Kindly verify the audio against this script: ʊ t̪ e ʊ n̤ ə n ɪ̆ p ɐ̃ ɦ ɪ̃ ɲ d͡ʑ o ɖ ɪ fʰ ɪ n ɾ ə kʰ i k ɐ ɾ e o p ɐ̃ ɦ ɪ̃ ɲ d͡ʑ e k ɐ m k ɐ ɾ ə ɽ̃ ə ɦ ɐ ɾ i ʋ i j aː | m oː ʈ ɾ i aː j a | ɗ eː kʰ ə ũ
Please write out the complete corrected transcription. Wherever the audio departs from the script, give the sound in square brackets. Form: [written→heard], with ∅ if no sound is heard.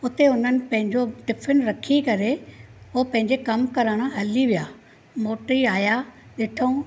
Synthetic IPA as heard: ʊ t̪ e ʊ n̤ ə n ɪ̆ p ɐ̃ ɦ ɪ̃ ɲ d͡ʑ o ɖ ɪ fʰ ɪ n ɾ [ə→ɐ] kʰ i k ɐ ɾ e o p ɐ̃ ɦ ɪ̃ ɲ d͡ʑ e k ɐ m k ɐ ɾ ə ɽ̃ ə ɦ ɐ [ɾ→l] i ʋ i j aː | m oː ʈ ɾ i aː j a | ɗ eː [kʰ→ʈʰ] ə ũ